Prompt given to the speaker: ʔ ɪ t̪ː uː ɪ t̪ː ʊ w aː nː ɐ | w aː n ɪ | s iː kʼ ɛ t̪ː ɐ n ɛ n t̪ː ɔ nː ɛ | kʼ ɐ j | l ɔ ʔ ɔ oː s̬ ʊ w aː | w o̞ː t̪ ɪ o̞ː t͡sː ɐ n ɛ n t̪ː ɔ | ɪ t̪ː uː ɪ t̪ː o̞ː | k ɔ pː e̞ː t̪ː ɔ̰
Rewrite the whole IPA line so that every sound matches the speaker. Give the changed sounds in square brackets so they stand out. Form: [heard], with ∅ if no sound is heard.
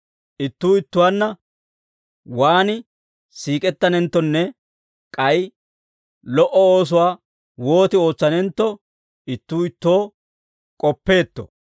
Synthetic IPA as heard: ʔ ɪ t̪ː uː ɪ t̪ː ʊ w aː nː ɐ | w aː n ɪ | s iː kʼ ɛ t̪ː ɐ n ɛ n t̪ː ɔ nː ɛ | kʼ ɐ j | l ɔ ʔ ɔ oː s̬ ʊ w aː | w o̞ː t̪ ɪ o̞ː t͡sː ɐ n ɛ n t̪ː ɔ | ɪ t̪ː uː ɪ t̪ː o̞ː | [kʼ] ɔ pː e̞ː t̪ː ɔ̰